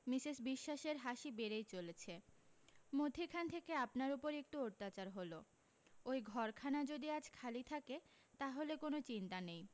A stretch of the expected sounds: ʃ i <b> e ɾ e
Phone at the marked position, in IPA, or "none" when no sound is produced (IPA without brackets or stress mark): b